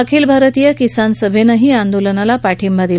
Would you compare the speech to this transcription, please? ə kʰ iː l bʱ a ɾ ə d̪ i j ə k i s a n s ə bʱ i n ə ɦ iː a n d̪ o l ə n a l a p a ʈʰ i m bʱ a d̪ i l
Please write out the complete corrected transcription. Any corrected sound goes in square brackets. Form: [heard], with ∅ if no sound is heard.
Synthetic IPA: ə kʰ iː l bʱ a ɾ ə [t̪] i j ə k i s a n s ə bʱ [e] n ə ɦ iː a n d̪ o l ə n a l a p a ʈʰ i m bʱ a d̪ i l